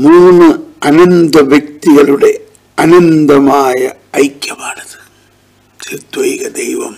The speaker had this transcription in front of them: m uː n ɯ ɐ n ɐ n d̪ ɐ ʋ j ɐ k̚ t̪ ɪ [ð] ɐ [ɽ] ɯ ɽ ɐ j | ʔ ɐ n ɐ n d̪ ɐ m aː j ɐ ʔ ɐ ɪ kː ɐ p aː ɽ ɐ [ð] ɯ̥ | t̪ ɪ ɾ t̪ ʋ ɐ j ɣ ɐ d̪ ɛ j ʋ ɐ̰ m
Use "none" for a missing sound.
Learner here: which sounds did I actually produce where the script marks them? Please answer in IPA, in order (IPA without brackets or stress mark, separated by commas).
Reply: ɣ, ɭ, ð